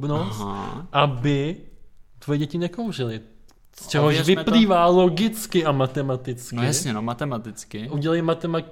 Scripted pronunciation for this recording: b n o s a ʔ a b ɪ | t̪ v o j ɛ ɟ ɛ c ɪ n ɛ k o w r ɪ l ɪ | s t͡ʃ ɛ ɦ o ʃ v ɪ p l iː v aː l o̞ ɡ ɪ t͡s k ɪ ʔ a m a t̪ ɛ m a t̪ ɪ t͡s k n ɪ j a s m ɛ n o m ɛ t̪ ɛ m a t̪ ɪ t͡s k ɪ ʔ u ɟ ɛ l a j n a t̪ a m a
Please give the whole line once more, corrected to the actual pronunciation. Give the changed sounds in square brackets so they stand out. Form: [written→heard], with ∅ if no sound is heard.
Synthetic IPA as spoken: b n o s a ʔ a b ɪ | t̪ v o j ɛ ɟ ɛ c ɪ n ɛ k o w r ɪ l ɪ | s t͡ʃ ɛ ɦ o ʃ v ɪ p l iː v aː l o̞ ɡ ɪ t͡s k ɪ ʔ a m a t̪ ɛ m a t̪ ɪ t͡s k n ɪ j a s [m→ɲ] ɛ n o m [ɛ→a] t̪ ɛ m a t̪ ɪ t͡s k ɪ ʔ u ɟ ɛ l a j [n→m] a t̪ [a→ɛ] m a